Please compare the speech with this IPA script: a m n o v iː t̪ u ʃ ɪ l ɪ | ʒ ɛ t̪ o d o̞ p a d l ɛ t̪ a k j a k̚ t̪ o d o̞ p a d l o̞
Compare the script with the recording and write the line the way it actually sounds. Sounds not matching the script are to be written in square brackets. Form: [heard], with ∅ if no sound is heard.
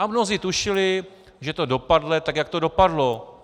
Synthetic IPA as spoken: a m n o [z] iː t̪ u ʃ ɪ l ɪ | ʒ ɛ t̪ o d o̞ p a d l ɛ t̪ a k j a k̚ t̪ o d o̞ p a d l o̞

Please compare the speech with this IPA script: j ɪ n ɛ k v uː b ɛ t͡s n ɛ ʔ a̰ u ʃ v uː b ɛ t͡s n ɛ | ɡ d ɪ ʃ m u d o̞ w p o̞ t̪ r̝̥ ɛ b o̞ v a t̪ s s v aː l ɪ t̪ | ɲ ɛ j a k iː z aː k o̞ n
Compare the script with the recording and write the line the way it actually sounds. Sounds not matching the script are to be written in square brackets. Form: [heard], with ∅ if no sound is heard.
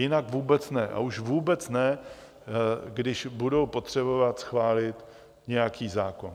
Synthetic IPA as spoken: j ɪ n [a] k v uː b ɛ t͡s n ɛ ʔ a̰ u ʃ v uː b ɛ t͡s n ɛ | ɡ d ɪ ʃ [b] u d o̞ w p o̞ t̪ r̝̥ ɛ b o̞ v a t̪ s [x] v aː l ɪ t̪ | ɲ ɛ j a k iː z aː k o̞ n

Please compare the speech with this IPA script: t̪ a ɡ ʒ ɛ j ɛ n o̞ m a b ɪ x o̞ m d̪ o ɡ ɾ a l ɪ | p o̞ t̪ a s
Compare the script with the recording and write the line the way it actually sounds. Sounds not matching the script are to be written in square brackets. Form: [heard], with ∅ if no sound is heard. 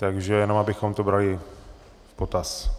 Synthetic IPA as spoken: t̪ a ɡ ʒ ɛ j ɛ n o̞ m a b ɪ x o̞ m [t̪] o [b] ɾ a l ɪ | p o̞ t̪ a s

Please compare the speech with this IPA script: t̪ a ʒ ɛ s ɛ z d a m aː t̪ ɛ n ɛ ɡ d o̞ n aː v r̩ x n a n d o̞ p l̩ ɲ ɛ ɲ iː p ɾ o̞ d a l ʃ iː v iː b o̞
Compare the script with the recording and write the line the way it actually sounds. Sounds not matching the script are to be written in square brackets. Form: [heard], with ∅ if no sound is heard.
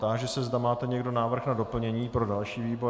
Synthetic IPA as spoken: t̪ a ʒ ɛ s ɛ z d a m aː t̪ ɛ [ɲ] ɛ ɡ d o̞ n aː v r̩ x n a [∅] d o̞ p l̩ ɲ ɛ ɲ iː p ɾ o̞ d a l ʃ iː v iː b o̞

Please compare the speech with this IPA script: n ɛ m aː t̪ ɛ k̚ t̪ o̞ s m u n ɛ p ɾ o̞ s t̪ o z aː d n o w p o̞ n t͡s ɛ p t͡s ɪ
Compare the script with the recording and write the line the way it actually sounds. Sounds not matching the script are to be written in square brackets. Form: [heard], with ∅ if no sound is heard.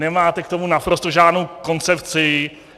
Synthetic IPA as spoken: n ɛ m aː t̪ ɛ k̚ t̪ o̞ [∅] m u n [a] p ɾ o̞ s t̪ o [ʒ] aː d n o w [k] o̞ n t͡s ɛ p t͡s ɪ

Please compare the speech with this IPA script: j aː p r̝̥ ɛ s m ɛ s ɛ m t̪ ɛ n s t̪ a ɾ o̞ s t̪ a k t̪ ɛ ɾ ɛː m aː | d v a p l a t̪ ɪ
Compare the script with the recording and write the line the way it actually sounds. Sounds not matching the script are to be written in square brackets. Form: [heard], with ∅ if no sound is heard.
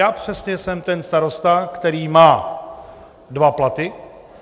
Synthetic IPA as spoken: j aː p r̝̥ ɛ s [ɲ] ɛ s ɛ m t̪ ɛ n s t̪ a ɾ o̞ s t̪ a k t̪ ɛ ɾ [iː] m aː | d v a p l a t̪ ɪ

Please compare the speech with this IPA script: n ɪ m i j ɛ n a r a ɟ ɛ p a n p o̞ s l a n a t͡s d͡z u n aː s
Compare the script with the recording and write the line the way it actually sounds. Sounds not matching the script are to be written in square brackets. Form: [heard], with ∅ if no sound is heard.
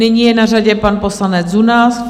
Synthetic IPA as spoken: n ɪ [ɲ] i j ɛ n a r a ɟ ɛ p a n p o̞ s l a n [ɛ] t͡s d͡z u n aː s

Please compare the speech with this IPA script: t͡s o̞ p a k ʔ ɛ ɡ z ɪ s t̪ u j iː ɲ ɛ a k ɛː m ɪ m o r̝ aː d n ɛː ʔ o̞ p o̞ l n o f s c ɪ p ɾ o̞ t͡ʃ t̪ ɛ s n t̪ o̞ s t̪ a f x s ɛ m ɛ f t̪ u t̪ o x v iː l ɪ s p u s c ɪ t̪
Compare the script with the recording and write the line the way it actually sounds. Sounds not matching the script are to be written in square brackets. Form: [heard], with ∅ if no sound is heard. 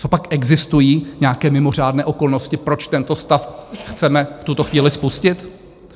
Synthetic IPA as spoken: t͡s o̞ p a k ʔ ɛ ɡ z ɪ s t̪ u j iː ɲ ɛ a k ɛː m ɪ m o r̝ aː d n ɛː ʔ o̞ [k] o̞ l n o [∅] s c ɪ p ɾ o̞ t͡ʃ t̪ ɛ [∅] n t̪ o̞ s t̪ a f x [t͡s] ɛ m ɛ f t̪ u t̪ o x v iː l ɪ s p u s c ɪ t̪

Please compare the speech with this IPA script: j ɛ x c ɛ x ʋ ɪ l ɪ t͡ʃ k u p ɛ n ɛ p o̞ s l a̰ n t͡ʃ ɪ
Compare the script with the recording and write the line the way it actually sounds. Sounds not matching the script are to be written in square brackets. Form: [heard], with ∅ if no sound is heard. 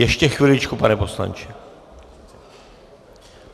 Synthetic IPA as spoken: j ɛ [ʃ] c ɛ x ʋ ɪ l ɪ t͡ʃ k u p [a] n ɛ p o̞ s l a̰ n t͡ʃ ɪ

